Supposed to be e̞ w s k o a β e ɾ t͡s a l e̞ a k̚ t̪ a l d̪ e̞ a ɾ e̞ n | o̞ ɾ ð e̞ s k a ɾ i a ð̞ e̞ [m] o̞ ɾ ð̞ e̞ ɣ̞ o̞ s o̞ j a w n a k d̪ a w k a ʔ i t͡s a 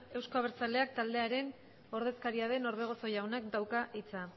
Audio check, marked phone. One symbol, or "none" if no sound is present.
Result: n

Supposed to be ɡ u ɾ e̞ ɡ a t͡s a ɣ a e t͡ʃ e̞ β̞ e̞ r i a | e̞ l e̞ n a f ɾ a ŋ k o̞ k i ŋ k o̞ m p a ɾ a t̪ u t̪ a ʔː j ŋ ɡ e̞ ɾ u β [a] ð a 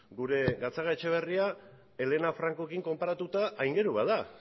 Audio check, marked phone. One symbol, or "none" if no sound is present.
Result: a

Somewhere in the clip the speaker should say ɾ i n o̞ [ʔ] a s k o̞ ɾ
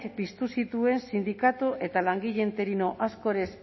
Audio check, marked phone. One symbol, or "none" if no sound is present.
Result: ʔ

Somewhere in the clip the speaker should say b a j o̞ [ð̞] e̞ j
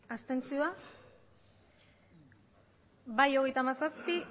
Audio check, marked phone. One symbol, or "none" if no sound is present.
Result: ɣ̞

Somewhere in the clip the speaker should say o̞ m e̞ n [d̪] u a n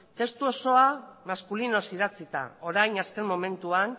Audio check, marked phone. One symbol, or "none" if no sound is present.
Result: t̪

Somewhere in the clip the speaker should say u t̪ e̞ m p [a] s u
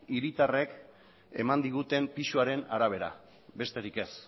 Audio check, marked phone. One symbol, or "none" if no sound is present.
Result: i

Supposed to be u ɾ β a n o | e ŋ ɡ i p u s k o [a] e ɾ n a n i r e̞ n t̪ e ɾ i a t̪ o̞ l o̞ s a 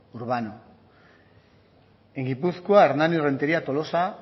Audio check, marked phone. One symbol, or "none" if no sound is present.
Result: a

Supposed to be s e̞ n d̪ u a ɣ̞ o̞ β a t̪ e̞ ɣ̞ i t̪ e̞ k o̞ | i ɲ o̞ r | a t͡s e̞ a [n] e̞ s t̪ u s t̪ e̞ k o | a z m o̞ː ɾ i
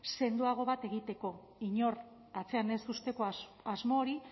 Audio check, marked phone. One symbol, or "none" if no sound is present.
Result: n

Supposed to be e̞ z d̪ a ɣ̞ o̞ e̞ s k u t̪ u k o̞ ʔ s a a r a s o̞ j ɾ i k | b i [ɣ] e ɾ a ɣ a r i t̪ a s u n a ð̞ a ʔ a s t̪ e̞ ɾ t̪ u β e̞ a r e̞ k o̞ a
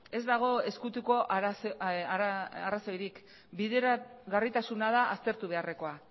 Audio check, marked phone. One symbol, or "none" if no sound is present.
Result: ð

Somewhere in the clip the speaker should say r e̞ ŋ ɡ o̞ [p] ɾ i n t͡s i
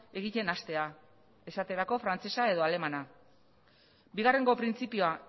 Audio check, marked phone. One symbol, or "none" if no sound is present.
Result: p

